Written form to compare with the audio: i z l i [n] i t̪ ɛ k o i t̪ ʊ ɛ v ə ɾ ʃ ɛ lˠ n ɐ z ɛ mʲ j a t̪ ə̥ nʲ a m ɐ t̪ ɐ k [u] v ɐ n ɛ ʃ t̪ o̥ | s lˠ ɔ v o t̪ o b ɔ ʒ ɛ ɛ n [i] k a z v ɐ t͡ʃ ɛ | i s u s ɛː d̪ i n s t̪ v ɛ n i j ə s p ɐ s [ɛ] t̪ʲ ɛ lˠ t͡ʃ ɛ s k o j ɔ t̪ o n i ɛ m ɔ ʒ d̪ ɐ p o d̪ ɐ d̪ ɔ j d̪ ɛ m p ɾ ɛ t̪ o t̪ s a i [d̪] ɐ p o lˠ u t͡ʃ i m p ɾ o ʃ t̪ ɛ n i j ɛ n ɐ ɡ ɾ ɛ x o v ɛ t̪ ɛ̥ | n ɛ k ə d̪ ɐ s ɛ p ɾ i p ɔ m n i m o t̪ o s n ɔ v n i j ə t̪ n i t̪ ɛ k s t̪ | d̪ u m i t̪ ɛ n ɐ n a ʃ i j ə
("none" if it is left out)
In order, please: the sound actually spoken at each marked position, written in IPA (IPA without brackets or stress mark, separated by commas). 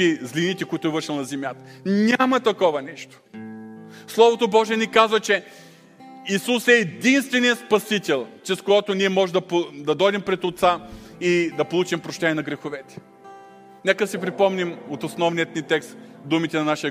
n, ɔ, i, i, d̪